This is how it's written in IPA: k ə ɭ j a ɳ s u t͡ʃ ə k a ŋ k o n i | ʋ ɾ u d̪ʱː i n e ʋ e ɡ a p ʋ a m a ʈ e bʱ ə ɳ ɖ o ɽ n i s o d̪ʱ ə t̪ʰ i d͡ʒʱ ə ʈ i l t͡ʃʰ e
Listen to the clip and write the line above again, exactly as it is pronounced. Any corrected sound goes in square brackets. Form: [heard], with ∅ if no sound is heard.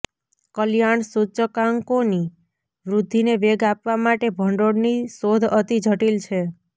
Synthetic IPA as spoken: k ə [l] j a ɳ s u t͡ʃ ə k a ŋ k o n i | ʋ ɾ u d̪ʱː i n e ʋ e ɡ a p ʋ a m a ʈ e bʱ ə ɳ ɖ o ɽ n i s o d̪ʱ ə [t̪] i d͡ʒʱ ə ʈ i l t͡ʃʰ e